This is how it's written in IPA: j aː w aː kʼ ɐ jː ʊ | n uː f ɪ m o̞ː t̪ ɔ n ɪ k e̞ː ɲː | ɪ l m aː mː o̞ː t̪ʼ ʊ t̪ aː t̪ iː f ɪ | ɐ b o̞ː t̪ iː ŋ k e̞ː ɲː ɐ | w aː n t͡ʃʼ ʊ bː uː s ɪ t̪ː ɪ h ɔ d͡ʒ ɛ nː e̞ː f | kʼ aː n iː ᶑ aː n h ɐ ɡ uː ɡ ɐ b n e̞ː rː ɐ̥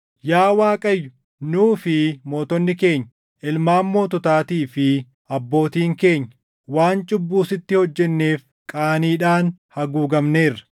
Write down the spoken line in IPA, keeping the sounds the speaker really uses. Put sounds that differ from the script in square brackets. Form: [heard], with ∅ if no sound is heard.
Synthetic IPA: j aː w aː kʼ ɐ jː ʊ | n uː f ɪ m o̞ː t̪ ɔ [nː] ɪ k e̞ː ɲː | ɪ l m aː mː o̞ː [t̪] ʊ t̪ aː t̪ iː f ɪ | ɐ [bː] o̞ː t̪ iː ŋ k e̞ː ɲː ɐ | w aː n t͡ʃʼ ʊ bː uː s ɪ t̪ː ɪ h ɔ [d͡ʒː] ɛ nː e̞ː f | kʼ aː n iː ᶑ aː n h ɐ ɡ uː ɡ ɐ [m] n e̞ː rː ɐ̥

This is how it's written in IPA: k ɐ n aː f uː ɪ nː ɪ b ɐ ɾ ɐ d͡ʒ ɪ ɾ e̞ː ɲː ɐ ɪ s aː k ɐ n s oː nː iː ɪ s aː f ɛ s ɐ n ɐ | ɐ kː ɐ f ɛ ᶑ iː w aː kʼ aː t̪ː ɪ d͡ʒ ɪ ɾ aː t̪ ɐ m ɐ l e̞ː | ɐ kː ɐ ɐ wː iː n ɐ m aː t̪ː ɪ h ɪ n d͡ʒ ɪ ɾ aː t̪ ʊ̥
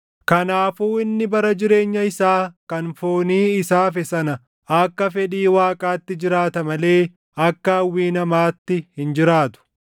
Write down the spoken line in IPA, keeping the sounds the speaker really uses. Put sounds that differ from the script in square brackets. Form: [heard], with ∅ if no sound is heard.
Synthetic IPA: k ɐ n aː f uː ɪ nː ɪ b ɐ ɾ ɐ d͡ʒ ɪ ɾ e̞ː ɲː ɐ ɪ s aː k ɐ n [f] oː [n] iː ɪ s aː f ɛ s ɐ n ɐ | ɐ kː ɐ f ɛ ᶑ iː w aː kʼ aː t̪ː ɪ d͡ʒ ɪ ɾ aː t̪ ɐ m ɐ l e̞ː | ɐ kː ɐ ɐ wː iː n ɐ m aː t̪ː ɪ h ɪ n d͡ʒ ɪ ɾ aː t̪ ʊ̥

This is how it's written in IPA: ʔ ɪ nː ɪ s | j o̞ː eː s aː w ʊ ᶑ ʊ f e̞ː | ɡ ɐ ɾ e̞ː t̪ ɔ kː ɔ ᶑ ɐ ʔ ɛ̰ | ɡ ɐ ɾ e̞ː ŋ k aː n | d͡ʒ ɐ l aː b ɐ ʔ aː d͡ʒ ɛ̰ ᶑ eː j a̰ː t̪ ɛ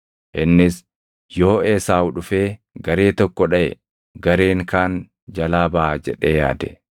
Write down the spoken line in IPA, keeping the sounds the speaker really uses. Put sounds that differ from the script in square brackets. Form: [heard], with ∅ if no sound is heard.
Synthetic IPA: ʔ ɪ nː ɪ s | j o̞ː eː s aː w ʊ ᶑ ʊ f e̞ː | ɡ ɐ ɾ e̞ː t̪ ɔ kː ɔ ᶑ ɐ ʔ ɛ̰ | ɡ ɐ ɾ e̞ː ŋ k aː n | d͡ʒ ɐ l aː b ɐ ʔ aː d͡ʒ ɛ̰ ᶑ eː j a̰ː [d̪] ɛ

